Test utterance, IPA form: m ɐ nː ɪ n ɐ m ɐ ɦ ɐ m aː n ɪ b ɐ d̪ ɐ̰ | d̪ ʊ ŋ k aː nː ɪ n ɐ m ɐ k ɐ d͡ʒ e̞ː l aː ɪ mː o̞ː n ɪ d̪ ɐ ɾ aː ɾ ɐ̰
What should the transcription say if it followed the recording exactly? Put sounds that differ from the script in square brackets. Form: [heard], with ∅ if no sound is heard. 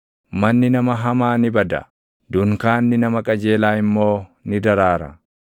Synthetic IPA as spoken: m ɐ nː ɪ n ɐ m ɐ ɦ ɐ m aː n ɪ b ɐ d̪ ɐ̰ | d̪ ʊ ŋ k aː nː ɪ n ɐ m ɐ [kʼ] ɐ d͡ʒ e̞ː l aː ɪ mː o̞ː n ɪ d̪ ɐ ɾ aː ɾ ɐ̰